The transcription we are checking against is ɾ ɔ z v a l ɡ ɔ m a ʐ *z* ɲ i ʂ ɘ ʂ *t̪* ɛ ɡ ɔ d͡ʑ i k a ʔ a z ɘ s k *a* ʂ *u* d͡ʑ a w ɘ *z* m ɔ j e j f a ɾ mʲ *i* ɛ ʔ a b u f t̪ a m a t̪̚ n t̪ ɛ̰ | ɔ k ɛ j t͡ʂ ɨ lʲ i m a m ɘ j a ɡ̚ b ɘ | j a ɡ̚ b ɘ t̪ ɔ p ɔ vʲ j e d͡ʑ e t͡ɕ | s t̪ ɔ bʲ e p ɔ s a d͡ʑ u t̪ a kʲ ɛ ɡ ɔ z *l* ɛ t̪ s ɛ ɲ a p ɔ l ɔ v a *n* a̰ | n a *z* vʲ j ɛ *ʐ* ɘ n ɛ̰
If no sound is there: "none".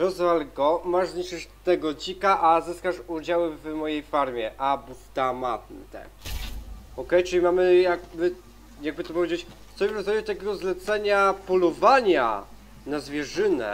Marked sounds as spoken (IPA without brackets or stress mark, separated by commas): z, t̪, a, u, v, j, l, ɲ, z, ʐ